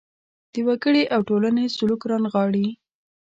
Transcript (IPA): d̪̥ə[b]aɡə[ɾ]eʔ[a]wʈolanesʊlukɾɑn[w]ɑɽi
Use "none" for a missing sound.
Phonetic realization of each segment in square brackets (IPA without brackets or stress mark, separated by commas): w, ɽ, a, ɣ